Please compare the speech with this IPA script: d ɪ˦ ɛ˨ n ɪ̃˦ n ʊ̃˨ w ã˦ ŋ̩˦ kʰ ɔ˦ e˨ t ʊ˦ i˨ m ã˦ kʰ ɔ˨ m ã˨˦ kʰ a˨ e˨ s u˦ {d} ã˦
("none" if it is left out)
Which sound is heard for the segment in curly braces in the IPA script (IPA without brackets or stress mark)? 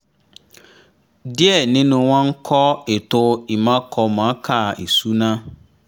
n